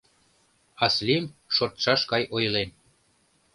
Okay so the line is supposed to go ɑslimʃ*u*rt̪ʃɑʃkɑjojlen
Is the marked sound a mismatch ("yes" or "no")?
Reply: yes